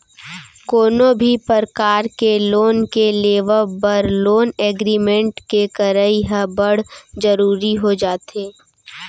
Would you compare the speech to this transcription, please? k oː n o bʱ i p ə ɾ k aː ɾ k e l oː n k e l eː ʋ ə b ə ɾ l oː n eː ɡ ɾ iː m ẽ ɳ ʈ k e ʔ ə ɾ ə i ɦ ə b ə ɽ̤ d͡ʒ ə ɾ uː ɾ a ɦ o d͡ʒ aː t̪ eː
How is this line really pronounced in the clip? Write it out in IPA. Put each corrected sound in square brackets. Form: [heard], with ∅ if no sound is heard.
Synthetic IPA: k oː n o bʱ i p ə ɾ k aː ɾ k e l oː n k e l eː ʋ ə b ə ɾ l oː n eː ɡ ɾ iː m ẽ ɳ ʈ k e [k] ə ɾ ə i ɦ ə b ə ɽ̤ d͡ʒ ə ɾ uː ɾ [i] ɦ o d͡ʒ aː t̪ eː